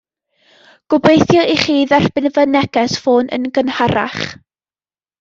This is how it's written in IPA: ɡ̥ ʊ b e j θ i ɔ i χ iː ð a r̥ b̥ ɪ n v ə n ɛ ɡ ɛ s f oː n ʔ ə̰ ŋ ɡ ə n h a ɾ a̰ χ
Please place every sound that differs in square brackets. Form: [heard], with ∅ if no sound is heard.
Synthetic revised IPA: ɡ̥ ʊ b e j θ [j] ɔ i χ iː ð a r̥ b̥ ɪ n v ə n ɛ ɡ ɛ s f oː n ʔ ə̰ [n] ɡ ə n h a ɾ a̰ χ